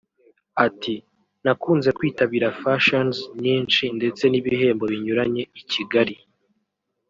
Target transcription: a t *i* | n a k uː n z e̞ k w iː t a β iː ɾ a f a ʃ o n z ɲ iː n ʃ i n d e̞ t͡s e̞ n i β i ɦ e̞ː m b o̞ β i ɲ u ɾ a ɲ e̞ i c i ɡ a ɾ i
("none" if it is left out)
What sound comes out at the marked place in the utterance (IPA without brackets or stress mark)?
i